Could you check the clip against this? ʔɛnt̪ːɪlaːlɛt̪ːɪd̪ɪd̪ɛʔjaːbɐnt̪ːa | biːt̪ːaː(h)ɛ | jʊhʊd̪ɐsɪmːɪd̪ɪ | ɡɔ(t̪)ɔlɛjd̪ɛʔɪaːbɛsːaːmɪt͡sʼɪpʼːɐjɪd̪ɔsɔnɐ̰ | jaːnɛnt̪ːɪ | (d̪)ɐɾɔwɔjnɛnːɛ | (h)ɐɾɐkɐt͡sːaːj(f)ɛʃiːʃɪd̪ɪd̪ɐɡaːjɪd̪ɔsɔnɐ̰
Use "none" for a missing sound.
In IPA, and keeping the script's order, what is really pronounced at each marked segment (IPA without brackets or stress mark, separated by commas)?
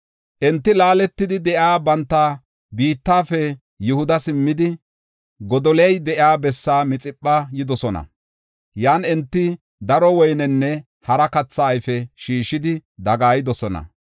f, d̪, d̪, h, f